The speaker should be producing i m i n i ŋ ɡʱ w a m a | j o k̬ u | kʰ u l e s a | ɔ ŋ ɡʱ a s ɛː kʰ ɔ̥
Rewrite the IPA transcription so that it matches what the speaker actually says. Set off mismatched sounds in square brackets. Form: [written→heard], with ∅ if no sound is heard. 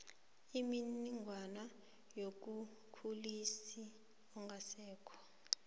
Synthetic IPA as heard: i m i n i ŋ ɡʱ w a [m→n] a | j o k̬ u | kʰ u l [e→i] s [a→i] | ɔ ŋ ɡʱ a s ɛː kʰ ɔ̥